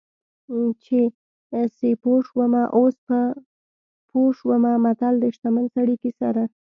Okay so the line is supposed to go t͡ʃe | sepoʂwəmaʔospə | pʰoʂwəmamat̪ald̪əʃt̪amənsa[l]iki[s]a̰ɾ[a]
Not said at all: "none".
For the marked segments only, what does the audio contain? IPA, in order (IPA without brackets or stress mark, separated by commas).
ɽ, s, a